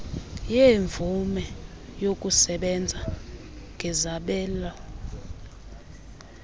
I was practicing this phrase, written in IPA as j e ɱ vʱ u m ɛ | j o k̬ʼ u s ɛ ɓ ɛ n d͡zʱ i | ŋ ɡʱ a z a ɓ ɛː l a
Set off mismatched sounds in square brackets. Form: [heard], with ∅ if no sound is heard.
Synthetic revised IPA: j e ɱ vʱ u m ɛ | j o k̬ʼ u s ɛ ɓ ɛ n d͡zʱ [a] | ŋ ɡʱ [ɛ] z a ɓ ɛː l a